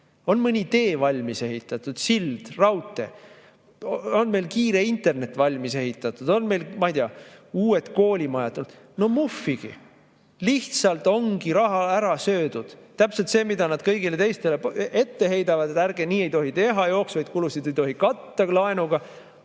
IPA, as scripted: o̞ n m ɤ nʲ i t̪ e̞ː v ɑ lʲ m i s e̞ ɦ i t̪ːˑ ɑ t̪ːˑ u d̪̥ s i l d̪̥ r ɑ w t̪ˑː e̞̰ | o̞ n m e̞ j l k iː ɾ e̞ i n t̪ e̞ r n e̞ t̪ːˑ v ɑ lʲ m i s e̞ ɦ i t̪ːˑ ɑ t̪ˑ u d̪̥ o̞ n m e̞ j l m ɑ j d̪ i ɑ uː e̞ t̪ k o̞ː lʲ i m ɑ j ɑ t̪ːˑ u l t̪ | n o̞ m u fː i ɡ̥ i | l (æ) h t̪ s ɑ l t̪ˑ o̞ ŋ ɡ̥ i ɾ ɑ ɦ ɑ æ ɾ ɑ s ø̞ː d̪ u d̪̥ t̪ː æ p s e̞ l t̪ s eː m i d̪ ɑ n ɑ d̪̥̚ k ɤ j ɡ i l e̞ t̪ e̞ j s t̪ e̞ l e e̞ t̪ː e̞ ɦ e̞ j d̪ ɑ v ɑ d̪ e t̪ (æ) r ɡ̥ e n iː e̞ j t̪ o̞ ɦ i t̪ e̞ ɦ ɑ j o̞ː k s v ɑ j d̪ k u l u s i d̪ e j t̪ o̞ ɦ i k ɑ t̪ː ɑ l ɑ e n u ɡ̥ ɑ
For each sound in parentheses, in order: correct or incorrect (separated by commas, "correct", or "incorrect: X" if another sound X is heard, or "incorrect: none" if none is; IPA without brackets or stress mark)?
incorrect: i, correct